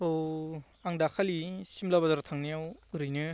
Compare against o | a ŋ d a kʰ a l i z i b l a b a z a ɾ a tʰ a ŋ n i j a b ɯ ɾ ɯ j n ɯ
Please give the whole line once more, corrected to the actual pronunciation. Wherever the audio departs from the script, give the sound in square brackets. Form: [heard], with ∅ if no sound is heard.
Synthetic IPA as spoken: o | a ŋ d a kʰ a l i [s] i [m] l a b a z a ɾ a tʰ a ŋ n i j a [w] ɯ ɾ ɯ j n ɯ